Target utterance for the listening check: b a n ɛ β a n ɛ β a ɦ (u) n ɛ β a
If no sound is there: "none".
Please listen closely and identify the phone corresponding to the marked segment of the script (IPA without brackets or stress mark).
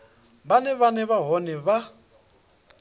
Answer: ɔ